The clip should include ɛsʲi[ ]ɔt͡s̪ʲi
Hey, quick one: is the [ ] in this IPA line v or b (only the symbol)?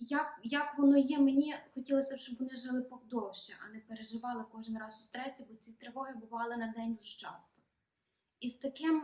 b